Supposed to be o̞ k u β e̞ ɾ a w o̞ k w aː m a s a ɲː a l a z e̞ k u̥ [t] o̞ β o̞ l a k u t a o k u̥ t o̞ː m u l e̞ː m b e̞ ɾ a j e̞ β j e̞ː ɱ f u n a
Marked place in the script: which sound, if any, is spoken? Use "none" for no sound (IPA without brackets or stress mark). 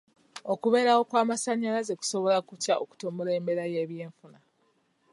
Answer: s